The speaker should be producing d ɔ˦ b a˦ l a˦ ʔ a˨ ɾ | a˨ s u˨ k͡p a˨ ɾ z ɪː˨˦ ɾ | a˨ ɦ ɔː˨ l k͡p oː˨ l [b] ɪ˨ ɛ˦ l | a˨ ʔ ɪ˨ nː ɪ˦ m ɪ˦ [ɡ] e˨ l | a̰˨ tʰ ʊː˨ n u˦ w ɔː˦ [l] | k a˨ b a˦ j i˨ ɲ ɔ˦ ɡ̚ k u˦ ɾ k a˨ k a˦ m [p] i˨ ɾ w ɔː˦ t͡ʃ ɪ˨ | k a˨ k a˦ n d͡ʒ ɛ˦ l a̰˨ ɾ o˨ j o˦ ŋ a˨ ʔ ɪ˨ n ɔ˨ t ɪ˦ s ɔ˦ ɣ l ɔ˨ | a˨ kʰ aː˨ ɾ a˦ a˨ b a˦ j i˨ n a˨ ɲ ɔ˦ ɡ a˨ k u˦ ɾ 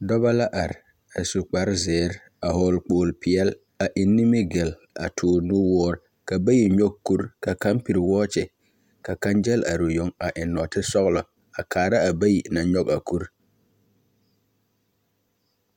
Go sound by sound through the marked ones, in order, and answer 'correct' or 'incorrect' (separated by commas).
incorrect, correct, incorrect, correct